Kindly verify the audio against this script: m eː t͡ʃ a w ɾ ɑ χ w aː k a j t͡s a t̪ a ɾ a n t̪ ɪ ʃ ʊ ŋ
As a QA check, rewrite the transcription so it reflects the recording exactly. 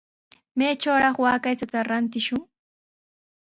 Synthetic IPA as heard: m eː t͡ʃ a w ɾ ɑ χ w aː k a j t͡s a t̪ a ɾ a n t̪ ɪ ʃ ʊ ŋ